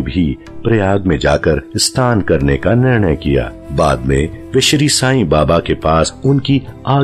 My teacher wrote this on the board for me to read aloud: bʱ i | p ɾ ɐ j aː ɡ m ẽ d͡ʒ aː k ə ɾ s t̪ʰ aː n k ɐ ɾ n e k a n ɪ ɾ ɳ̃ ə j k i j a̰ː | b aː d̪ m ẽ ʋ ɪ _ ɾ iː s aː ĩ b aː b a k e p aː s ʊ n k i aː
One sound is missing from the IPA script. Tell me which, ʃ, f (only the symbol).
ʃ